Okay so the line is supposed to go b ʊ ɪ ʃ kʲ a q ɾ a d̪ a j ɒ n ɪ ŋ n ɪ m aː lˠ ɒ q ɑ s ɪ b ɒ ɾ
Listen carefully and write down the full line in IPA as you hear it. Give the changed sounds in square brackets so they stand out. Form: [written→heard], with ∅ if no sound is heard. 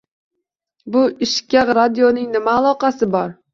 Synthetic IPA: b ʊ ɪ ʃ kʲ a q ɾ a d̪ [a→i] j [ɒ→o] n ɪ ŋ n ɪ m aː lˠ ɒ q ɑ s ɪ b ɒ ɾ